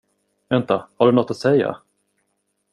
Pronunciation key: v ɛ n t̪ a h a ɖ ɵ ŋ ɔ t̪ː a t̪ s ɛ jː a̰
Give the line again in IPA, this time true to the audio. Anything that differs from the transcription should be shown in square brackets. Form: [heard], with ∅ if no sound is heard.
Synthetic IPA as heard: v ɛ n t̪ a h a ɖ ɵ [n] ɔ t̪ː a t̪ s ɛ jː a̰

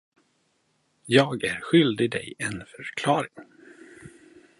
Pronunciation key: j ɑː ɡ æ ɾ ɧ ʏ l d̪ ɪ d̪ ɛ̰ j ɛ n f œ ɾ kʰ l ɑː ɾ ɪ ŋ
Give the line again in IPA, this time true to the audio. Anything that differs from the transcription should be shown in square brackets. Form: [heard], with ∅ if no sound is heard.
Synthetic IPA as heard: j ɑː ɡ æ ɾ ɧ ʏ l d̪ ɪ d̪ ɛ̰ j ɛ n f œ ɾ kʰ l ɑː ɾ ɪ ŋ

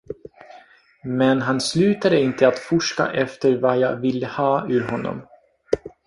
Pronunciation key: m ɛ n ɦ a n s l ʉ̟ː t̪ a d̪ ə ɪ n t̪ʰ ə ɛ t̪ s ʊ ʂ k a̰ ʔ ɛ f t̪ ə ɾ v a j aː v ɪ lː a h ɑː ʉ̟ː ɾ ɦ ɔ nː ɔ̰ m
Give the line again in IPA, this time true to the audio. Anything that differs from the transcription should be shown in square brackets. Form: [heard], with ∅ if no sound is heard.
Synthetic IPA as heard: m ɛ n ɦ a n s l ʉ̟ː t̪ a d̪ ə ɪ n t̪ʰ ə [a] t̪ [f] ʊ ʂ k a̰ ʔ ɛ f t̪ ə ɾ v a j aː v ɪ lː [ə] h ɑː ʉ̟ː ɾ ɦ ɔ nː ɔ̰ m

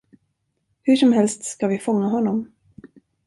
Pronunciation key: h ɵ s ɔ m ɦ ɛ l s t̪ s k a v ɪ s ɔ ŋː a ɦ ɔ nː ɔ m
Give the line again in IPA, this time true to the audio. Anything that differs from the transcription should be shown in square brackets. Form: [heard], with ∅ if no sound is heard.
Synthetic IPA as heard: h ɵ [ʂ] ɔ m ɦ ɛ l s t̪ s k a v ɪ [f] ɔ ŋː a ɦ ɔ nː ɔ m

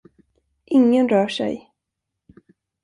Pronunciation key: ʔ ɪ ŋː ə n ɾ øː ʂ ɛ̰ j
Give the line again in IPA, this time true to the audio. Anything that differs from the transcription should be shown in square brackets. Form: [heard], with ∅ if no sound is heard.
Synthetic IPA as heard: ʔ ɪ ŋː ə n ɾ [œː] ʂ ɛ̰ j

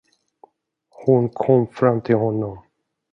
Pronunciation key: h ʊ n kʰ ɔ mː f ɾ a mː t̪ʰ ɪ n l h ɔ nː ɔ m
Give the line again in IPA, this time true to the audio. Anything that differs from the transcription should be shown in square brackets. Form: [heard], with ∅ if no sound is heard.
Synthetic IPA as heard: h ʊ n kʰ ɔ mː f ɾ a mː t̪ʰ ɪ [∅] l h ɔ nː ɔ m

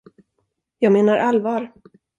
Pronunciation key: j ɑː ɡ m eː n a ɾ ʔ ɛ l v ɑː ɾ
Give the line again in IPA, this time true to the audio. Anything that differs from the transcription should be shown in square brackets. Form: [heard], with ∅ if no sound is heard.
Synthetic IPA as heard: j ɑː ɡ m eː n a ɾ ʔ [a] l v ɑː ɾ

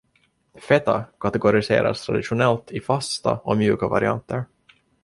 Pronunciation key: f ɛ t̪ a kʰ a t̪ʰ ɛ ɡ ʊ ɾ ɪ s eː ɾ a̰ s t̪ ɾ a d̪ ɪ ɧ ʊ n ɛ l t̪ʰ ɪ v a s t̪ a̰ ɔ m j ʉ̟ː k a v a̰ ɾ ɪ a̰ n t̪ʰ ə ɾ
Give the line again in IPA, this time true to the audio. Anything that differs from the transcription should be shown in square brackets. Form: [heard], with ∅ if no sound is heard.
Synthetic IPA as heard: f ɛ t̪ a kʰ a [t̪] ɛ ɡ ʊ ɾ ɪ s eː ɾ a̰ s [t̪ʰ] ɾ a d̪ ɪ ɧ ʊ n ɛ l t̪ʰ ɪ [f] a s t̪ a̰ ɔ m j ʉ̟ː k a v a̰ ɾ ɪ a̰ n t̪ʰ ə ɾ

